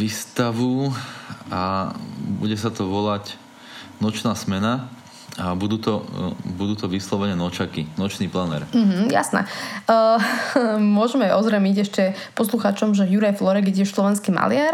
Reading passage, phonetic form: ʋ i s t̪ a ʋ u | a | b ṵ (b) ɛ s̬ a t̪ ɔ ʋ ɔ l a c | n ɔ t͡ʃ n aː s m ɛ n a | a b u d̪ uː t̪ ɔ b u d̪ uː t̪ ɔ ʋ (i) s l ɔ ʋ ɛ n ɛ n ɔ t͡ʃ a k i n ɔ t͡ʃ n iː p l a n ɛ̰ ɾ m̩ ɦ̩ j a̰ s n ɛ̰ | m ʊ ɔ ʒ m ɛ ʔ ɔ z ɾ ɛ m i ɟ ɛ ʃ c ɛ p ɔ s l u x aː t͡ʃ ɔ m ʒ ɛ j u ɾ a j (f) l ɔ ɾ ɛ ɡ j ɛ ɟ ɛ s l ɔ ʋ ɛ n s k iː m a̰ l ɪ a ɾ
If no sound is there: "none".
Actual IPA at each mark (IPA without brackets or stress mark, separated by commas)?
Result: ɟ, i, f